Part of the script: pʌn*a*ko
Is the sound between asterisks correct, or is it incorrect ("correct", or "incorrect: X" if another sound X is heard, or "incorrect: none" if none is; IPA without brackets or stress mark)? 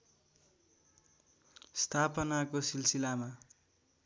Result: correct